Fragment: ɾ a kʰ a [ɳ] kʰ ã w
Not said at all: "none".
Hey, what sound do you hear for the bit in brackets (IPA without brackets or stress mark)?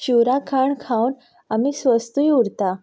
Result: ɳ